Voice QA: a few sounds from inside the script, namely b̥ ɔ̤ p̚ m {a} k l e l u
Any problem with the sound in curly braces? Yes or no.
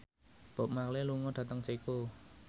no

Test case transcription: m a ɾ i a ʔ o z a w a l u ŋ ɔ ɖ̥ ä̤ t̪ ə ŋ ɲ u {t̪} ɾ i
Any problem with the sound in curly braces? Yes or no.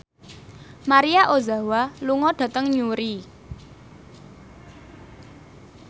yes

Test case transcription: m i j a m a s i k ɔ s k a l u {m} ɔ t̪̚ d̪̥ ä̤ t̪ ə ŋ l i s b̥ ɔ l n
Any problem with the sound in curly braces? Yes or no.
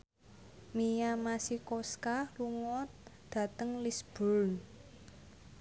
yes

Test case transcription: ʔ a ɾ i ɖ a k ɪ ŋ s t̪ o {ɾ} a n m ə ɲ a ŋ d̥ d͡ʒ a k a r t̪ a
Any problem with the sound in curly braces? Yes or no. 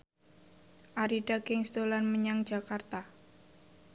yes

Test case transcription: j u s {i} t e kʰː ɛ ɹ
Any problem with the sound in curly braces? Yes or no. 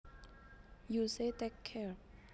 yes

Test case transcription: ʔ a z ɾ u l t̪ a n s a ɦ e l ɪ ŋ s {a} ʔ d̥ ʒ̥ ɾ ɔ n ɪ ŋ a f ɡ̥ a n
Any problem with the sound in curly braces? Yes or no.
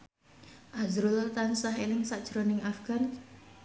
no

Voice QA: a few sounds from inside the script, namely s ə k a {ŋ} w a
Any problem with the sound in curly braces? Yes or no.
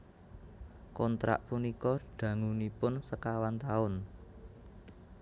yes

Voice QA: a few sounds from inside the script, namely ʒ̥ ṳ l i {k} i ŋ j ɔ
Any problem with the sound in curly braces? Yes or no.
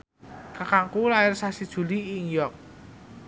yes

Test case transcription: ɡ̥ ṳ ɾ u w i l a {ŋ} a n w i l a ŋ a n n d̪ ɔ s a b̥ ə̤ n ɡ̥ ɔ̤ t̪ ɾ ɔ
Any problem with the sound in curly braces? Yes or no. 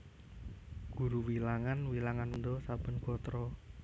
no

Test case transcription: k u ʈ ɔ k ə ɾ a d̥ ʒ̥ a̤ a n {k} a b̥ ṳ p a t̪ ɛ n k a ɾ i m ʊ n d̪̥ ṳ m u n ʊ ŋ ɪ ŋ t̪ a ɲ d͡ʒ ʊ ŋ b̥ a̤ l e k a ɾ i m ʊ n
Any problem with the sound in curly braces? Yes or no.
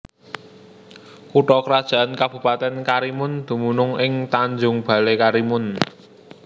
no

